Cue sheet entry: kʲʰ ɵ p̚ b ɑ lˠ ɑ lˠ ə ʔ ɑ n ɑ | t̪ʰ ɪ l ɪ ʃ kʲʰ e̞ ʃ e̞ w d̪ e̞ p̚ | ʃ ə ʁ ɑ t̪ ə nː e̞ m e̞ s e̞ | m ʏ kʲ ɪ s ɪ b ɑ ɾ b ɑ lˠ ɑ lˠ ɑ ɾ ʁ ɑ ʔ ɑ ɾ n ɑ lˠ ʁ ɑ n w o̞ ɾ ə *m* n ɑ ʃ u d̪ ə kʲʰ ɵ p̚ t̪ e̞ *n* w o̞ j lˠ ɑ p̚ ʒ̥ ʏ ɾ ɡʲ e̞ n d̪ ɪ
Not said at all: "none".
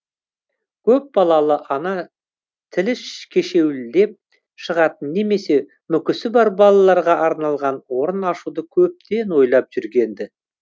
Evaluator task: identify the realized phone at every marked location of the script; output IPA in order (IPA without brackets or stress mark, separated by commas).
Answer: none, n